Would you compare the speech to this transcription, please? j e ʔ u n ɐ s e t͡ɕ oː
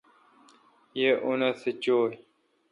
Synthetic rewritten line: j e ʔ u n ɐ s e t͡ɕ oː